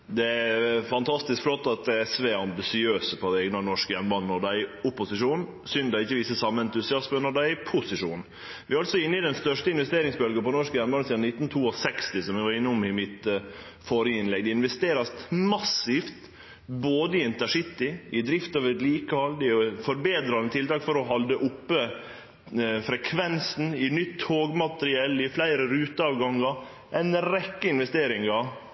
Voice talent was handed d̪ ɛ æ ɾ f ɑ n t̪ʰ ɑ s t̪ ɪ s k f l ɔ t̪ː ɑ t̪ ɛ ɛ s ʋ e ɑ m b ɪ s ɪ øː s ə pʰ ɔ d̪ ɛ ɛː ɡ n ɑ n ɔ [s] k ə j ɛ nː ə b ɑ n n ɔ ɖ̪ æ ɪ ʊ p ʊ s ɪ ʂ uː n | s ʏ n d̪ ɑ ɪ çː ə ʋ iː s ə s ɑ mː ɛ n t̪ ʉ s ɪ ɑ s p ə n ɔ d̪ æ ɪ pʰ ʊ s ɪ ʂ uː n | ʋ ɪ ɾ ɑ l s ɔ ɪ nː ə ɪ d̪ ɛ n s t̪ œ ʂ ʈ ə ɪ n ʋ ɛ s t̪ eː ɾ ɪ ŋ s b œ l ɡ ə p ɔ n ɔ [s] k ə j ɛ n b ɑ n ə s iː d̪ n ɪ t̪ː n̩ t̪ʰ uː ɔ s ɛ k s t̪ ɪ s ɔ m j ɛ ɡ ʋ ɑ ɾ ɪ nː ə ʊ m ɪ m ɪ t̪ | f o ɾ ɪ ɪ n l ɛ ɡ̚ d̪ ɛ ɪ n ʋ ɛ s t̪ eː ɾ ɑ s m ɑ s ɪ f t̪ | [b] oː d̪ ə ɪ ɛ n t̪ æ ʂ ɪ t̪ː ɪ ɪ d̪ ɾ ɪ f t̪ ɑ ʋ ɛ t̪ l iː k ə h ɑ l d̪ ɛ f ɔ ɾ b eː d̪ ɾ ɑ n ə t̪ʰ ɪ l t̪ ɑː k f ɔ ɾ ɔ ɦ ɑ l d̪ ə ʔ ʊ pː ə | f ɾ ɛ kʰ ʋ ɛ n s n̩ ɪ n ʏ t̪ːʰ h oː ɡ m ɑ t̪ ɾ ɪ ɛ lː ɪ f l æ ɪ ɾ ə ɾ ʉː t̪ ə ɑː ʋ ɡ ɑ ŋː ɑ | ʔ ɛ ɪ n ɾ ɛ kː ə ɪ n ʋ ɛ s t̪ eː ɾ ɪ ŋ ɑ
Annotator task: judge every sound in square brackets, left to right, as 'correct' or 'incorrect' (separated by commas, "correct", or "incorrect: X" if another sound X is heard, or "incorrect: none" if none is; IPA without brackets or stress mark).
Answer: incorrect: ʂ, incorrect: ʂ, correct